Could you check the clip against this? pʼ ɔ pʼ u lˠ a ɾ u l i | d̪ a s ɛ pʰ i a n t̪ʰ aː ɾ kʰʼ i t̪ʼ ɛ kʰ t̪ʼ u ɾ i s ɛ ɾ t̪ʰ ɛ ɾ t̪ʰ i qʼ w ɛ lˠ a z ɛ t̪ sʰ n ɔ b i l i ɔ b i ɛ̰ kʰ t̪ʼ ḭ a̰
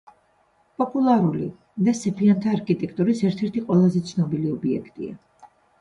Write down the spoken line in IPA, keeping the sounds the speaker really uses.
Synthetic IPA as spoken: pʼ ɔ pʼ u lˠ a ɾ u l i | d̪ a s ɛ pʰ i a n t̪ʰ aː ɾ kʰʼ i t̪ʼ ɛ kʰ t̪ʼ u ɾ i s ɛ ɾ t̪ʰ ɛ ɾ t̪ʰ i qʼ w ɛ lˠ a z ɛ t̪ sʰ n ɔ b i l i ɔ b i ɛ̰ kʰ t̪ʼ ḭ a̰